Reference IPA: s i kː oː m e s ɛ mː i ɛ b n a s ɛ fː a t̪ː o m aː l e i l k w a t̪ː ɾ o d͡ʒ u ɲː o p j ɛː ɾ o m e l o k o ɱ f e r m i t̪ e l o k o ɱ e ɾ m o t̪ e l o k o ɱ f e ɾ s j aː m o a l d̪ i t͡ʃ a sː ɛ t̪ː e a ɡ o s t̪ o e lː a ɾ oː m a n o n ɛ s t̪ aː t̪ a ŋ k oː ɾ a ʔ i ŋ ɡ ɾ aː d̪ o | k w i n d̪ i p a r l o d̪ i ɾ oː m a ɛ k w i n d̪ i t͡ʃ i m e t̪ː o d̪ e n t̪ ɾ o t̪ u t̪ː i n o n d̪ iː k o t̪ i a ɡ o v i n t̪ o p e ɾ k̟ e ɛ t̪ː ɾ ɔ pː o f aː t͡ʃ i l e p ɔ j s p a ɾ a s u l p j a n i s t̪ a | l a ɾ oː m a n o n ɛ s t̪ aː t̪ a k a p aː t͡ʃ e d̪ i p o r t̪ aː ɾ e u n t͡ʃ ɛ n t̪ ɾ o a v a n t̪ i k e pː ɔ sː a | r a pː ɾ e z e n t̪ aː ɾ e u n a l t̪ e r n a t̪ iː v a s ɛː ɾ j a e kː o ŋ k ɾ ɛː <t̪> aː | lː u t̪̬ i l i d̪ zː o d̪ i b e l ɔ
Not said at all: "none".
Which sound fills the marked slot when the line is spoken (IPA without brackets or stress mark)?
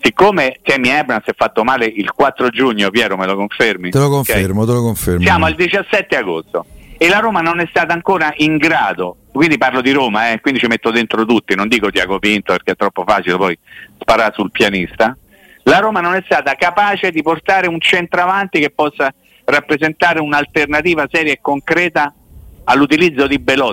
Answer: t̪